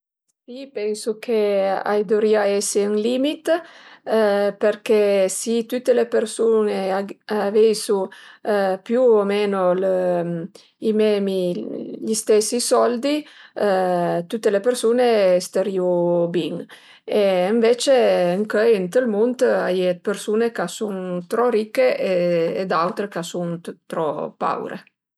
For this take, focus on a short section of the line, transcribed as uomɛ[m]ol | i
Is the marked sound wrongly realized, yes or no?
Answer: yes